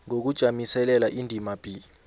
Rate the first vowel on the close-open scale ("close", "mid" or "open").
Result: mid